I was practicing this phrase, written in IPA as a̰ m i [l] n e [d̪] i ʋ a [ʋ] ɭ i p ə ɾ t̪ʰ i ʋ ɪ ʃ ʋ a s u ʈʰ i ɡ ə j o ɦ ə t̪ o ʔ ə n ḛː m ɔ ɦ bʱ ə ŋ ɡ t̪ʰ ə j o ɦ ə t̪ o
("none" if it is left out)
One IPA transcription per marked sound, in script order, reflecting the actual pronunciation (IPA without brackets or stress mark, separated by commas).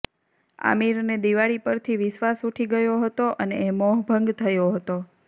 ɾ, d̪, none